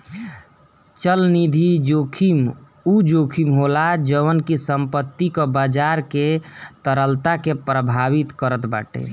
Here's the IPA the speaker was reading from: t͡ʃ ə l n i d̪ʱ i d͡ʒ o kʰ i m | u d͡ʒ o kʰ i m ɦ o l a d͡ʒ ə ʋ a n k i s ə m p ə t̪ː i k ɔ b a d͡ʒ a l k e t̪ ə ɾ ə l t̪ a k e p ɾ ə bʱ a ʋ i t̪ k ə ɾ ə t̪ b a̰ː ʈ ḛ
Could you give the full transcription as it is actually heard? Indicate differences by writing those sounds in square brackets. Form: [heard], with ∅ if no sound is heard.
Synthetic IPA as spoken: t͡ʃ ə l n i d̪ʱ i d͡ʒ o kʰ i m | u d͡ʒ o kʰ i m ɦ o l a d͡ʒ ə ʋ [ə] n k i s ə m p ə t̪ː i k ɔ b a d͡ʒ a [ɾ] k e t̪ ə ɾ ə l t̪ a k e p ɾ ə bʱ a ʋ i t̪ k ə ɾ ə t̪ b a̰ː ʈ ḛ

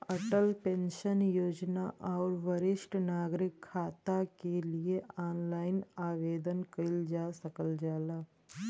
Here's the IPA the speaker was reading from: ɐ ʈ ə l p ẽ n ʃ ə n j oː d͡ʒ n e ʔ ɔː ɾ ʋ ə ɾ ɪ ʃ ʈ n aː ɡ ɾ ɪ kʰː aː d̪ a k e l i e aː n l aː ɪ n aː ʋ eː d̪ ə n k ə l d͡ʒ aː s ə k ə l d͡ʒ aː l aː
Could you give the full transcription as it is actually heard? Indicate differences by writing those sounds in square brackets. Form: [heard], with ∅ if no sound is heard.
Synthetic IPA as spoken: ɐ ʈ ə l p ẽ n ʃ ə n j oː d͡ʒ n [a] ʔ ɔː ɾ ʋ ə ɾ ɪ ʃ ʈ n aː ɡ ɾ ɪ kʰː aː [t̪] a k e l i e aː n l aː ɪ n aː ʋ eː d̪ ə n k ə l d͡ʒ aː s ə k ə l d͡ʒ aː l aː

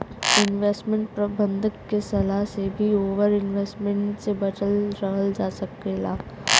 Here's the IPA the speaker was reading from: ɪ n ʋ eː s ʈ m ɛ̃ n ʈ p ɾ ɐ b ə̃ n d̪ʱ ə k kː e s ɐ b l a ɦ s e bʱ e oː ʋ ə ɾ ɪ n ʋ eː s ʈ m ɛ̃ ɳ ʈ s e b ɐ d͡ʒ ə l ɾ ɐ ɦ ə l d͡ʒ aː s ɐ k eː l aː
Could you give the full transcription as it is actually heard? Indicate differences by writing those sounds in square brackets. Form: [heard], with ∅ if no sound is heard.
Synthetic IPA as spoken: ɪ n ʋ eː s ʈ m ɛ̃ [ɳ] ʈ p ɾ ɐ b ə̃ n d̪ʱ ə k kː e s ɐ [∅] l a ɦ s e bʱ [i] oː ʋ ə ɾ ɪ n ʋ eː s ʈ m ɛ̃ ɳ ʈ s e b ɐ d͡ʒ ə l ɾ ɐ ɦ ə l d͡ʒ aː s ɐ k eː l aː

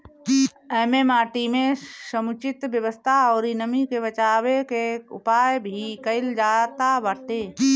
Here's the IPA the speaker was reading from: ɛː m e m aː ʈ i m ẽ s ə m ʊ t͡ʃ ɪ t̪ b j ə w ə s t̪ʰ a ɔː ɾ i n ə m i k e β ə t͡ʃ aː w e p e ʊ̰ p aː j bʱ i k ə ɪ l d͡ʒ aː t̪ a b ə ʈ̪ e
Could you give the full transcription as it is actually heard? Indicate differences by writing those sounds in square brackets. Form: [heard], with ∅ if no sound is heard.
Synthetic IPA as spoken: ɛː m e m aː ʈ i m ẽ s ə m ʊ t͡ʃ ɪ t̪ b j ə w ə s t̪ʰ a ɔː ɾ i n ə m i k e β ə t͡ʃ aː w e [k] e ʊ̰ p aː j bʱ i k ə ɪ l d͡ʒ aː t̪ a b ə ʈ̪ e

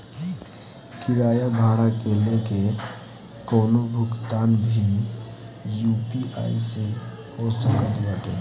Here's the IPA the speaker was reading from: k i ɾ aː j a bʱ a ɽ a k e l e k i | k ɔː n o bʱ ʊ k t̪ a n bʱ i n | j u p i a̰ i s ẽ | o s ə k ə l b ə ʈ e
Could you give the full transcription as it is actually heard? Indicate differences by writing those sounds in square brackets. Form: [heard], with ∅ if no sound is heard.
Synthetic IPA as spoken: k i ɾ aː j a bʱ a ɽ a k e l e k [e] | k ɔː n o bʱ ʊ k t̪ a n bʱ i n | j u p i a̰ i s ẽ | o s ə k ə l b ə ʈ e

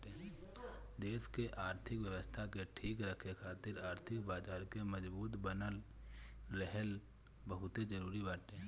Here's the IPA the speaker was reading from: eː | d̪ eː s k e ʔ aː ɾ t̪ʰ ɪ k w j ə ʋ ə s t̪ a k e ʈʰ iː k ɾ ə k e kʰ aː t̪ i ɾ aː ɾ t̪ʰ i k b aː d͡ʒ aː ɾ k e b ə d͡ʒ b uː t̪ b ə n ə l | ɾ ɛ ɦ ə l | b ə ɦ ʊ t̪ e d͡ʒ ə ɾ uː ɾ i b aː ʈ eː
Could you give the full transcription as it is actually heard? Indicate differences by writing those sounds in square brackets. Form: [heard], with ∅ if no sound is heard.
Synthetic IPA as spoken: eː | d̪ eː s k e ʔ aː ɾ t̪ʰ ɪ k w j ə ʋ ə s [t̪ʰ] a k e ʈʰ iː k ɾ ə [kʰ] e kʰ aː t̪ [ɪ] ɾ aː ɾ t̪ʰ [ɪ] k b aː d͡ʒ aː ɾ k e [m] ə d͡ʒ b uː t̪ b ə n ə l | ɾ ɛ ɦ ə l | b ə ɦ ʊ t̪ e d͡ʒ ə ɾ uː ɾ i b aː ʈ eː

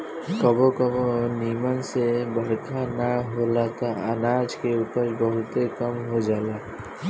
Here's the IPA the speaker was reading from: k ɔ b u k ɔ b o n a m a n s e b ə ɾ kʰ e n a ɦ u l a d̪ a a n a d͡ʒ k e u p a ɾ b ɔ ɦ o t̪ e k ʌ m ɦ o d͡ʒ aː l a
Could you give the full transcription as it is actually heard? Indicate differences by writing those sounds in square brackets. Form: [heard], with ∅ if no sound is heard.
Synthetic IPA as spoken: k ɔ b [o] k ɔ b o n [i] m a n s e b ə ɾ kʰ [a] n a ɦ [o] l a [t̪] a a n a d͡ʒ k e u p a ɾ b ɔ ɦ [u] t̪ e k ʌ m ɦ o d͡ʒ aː l a

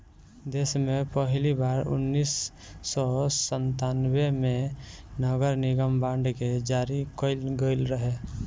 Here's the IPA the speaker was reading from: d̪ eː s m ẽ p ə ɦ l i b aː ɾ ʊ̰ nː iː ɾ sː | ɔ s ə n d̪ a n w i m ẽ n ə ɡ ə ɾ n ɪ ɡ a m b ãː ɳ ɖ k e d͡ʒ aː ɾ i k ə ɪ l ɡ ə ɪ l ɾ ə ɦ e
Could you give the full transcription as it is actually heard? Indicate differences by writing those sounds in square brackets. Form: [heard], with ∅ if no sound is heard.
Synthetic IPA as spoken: d̪ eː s m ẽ p ə ɦ l i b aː ɾ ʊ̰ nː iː [∅] sː | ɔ s ə n [t̪] a n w [e] m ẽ n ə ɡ ə ɾ n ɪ ɡ [ə] m b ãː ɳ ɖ k e d͡ʒ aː ɾ i k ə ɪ l ɡ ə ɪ l ɾ ə ɦ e

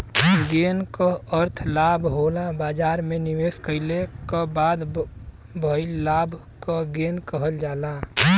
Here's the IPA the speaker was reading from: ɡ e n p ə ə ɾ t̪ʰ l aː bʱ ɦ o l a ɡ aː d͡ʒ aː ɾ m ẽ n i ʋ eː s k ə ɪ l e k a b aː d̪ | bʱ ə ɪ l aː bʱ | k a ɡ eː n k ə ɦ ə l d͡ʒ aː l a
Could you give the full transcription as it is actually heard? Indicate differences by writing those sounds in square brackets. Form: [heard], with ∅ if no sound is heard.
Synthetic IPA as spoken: ɡ e n [k] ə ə ɾ t̪ʰ l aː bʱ ɦ o l a [b] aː d͡ʒ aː ɾ m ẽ n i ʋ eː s k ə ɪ l e k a b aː d̪ | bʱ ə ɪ l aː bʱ | k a ɡ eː n k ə ɦ ə l d͡ʒ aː l a

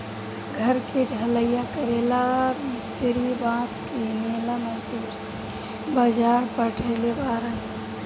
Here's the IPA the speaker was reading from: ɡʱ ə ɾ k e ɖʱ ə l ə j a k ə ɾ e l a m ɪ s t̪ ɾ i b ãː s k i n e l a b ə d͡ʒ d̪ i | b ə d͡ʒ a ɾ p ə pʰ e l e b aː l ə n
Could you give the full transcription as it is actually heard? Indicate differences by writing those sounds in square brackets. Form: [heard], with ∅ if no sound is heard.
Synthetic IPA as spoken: ɡʱ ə ɾ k e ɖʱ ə l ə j a k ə ɾ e l a m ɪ s t̪ ɾ i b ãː s k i n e l a [m] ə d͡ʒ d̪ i | b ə d͡ʒ a ɾ p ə [ʈʰ] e l e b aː [ɾ] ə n

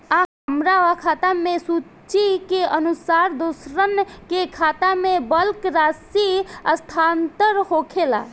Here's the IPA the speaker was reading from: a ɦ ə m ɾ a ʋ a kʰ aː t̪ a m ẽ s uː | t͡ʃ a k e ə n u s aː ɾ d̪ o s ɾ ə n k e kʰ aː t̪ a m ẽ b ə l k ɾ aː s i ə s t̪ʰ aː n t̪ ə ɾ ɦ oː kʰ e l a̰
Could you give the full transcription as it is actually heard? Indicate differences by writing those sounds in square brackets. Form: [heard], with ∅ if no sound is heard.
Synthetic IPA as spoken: a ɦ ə m ɾ a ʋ a kʰ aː t̪ a m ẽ s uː | t͡ʃ [i] k e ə n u s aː ɾ d̪ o s ɾ ə n k e kʰ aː t̪ a m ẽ b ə l k ɾ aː s i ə s t̪ʰ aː n t̪ ə ɾ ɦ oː kʰ e l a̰

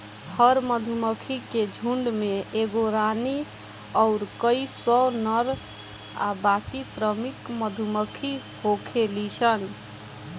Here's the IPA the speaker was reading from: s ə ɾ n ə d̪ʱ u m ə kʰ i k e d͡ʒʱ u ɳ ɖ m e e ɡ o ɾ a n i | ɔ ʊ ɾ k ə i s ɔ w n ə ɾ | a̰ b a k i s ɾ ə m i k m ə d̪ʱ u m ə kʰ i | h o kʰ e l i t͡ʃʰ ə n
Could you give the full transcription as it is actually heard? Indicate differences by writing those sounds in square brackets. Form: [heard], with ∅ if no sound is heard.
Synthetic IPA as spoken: [h] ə ɾ [m] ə d̪ʱ u m ə kʰ i k e d͡ʒʱ u ɳ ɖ m e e ɡ o ɾ a n i | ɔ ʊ ɾ k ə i s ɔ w n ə ɾ | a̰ b a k i s ɾ ə m i k m ə d̪ʱ u m ə kʰ i | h o kʰ e l i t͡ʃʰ ə n

